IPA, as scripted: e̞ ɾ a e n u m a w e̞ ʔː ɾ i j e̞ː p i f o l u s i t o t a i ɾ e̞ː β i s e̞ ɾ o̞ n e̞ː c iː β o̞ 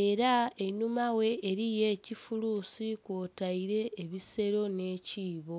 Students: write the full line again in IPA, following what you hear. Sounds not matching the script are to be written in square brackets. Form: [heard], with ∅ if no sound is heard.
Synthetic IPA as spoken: e̞ ɾ a e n u m a w e̞ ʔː ɾ i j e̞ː [c] i f [u] l u s i [k] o t a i ɾ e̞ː β i s e̞ ɾ o̞ n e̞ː c iː β o̞